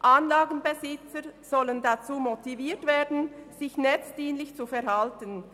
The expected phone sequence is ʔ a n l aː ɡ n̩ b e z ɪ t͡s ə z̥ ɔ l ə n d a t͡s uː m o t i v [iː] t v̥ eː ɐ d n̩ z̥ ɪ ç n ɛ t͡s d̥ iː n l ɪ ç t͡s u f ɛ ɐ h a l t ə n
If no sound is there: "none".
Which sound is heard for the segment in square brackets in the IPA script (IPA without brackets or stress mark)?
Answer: iː